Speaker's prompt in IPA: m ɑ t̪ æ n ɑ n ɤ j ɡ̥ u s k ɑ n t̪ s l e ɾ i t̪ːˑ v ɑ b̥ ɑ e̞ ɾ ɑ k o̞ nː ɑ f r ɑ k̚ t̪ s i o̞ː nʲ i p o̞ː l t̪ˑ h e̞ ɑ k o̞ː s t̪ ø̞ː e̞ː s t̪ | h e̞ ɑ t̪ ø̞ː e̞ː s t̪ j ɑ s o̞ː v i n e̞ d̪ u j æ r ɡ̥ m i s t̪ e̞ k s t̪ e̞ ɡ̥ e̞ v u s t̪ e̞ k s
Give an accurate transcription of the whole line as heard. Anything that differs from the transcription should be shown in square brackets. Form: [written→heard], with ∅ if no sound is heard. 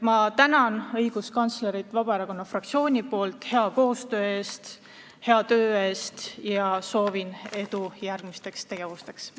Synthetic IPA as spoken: m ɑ t̪ æ n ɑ n ɤ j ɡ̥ u s k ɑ n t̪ s l e ɾ i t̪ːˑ v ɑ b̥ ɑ e̞ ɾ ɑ k o̞ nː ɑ f r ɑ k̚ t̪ s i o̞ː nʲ i p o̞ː l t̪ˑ h e̞ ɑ k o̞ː s t̪ ø̞ː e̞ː s t̪ | h e̞ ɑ t̪ ø̞ː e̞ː s t̪ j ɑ s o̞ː v i n e̞ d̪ u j æ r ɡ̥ m i s t̪ e̞ k s t̪ e̞ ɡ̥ e̞ v u s t̪ e̞ k s

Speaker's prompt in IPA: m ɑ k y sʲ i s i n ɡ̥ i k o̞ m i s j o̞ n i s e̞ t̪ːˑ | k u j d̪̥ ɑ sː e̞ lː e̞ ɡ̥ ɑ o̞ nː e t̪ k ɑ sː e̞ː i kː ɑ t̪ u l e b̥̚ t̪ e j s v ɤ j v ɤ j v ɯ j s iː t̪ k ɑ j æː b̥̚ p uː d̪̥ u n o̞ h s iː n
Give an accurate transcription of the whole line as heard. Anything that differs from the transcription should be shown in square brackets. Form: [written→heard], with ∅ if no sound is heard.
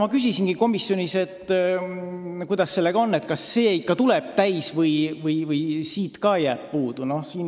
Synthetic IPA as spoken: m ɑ k y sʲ i s i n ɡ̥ i k o̞ m i s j o̞ n i s e̞ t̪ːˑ | k u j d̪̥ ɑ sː e̞ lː e̞ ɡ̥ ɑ o̞ nː e t̪ k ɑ sː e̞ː i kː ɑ t̪ u l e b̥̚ t̪ [e→æ] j s v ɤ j v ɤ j v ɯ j s iː t̪ k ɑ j æː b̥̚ p uː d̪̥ u n o̞ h s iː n

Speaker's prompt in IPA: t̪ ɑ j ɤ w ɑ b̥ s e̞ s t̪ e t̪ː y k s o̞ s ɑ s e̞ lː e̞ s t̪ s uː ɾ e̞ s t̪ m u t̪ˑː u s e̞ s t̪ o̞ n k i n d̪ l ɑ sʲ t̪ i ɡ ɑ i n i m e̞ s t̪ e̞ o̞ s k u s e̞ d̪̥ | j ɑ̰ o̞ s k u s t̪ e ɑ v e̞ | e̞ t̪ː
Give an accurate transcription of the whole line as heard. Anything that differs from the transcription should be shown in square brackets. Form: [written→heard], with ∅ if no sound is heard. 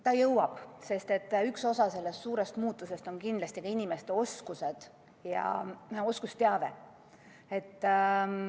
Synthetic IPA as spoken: t̪ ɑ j ɤ w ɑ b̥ s e̞ s t̪ e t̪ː y k s o̞ s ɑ s e̞ lː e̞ s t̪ s uː ɾ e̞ s t̪ m [u→uː] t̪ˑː u s e̞ s t̪ o̞ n k i n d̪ l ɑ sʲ t̪ i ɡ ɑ i n i m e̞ s t̪ e̞ o̞ s k u s e̞ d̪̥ | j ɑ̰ o̞ s k u s t̪ e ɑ v e̞ | e̞ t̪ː

